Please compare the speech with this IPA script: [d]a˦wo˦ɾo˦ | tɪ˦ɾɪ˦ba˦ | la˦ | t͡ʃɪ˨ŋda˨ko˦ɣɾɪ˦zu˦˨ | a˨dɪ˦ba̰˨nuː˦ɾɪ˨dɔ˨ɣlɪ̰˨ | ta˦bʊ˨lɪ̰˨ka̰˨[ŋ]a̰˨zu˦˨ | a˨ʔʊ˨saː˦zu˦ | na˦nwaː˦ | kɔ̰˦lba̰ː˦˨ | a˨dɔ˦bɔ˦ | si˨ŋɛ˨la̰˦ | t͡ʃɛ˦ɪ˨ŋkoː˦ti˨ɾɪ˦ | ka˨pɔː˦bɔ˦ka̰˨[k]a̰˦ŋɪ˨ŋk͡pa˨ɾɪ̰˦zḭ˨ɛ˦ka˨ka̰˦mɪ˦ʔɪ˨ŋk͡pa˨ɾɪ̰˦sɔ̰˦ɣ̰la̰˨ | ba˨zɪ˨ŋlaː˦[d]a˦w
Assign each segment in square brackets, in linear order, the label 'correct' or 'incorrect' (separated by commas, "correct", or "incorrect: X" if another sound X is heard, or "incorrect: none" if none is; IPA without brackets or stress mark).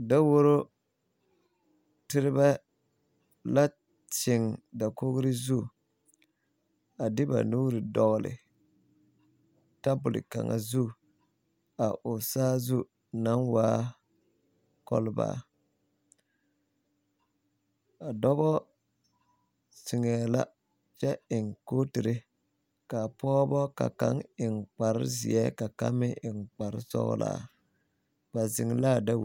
correct, correct, correct, correct